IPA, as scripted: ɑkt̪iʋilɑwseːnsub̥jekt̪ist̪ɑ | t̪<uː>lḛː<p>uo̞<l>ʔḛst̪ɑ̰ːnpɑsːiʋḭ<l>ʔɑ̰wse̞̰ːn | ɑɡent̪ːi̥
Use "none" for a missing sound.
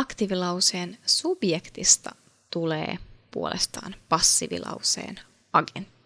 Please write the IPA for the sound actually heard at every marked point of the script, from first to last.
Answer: u, p, l, l

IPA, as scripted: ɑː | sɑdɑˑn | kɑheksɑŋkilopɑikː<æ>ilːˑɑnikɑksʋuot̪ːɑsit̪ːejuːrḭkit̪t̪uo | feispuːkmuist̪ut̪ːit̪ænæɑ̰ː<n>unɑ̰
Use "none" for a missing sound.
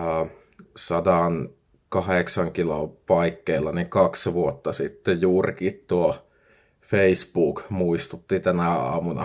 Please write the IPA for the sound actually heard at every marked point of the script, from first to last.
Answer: e, m

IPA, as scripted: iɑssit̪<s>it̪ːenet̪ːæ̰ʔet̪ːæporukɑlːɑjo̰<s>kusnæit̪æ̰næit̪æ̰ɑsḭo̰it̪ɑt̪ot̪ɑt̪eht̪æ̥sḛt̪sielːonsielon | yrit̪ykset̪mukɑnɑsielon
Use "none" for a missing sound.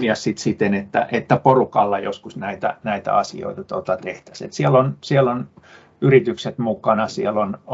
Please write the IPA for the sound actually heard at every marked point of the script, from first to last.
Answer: s, s

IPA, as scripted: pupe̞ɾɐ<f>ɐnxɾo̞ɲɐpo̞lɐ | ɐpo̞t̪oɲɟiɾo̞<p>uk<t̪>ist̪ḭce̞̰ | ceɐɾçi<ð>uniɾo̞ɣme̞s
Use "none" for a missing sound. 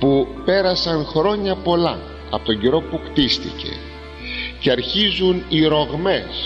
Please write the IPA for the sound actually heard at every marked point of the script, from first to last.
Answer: s, p, t̪, z

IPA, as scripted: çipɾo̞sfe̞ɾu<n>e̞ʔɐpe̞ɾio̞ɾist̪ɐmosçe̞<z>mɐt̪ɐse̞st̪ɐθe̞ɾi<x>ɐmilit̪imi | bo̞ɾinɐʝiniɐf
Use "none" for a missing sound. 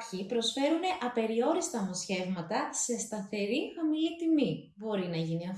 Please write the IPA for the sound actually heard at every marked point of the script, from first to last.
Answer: n, v, x

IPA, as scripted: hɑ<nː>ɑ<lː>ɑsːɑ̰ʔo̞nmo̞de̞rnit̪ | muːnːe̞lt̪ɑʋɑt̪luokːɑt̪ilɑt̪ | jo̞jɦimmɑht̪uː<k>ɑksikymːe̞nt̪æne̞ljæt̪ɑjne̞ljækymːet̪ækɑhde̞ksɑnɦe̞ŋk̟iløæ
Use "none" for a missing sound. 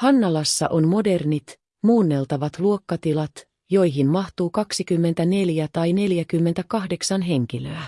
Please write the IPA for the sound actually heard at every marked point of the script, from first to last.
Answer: nː, l, k

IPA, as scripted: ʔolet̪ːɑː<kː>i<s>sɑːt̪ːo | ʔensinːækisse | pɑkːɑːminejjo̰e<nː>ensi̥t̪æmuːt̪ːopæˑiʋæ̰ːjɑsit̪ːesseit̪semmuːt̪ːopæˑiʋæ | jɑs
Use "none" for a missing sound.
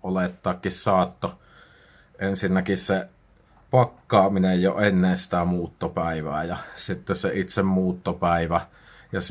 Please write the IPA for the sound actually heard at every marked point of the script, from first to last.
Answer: kː, s, nː

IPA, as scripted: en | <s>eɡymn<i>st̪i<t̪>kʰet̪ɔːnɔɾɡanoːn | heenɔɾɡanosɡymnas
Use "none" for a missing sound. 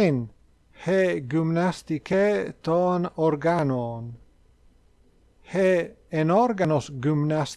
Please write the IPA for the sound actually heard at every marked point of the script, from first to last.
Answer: h, a, none

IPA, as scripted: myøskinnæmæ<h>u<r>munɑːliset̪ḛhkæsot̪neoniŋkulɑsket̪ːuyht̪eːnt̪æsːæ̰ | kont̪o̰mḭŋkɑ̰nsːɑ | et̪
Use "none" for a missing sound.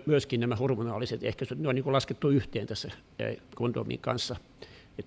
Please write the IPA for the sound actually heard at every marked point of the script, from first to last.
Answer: h, r

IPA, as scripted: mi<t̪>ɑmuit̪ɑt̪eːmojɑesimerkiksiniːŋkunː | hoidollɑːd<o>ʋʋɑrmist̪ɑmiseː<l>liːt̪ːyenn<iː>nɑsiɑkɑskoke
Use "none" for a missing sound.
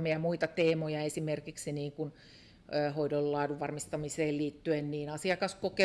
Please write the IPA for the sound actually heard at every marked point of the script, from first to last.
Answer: none, u, l, iː

